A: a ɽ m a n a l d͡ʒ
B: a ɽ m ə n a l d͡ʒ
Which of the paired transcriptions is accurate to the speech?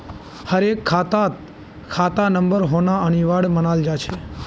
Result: B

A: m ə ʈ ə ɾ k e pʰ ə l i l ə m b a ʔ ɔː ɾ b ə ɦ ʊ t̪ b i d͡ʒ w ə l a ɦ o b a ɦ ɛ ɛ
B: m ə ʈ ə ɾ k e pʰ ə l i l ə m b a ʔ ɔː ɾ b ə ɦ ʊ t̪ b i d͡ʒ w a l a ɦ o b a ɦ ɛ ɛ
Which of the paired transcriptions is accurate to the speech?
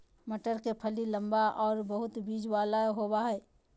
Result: B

